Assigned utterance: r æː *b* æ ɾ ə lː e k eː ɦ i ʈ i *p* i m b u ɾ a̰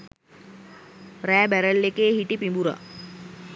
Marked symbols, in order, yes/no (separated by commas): yes, yes